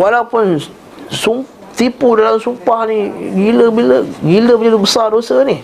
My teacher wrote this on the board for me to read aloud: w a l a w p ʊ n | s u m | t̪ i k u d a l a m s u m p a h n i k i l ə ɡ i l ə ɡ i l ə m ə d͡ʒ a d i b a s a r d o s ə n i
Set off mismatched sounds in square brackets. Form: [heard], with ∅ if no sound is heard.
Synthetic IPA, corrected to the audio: w a l a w p ʊ n | s u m | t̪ i [p] u d a l a m s u m p a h n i [ɡ] i l ə [b] i l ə ɡ i l ə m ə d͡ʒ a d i b [ə] s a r d o s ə n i